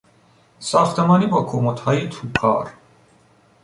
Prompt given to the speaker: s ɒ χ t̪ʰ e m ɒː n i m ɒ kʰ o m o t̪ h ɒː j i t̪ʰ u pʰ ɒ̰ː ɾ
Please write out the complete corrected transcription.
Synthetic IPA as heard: s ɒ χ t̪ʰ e m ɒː n i b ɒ kʰ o m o t̪ h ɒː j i t̪ʰ u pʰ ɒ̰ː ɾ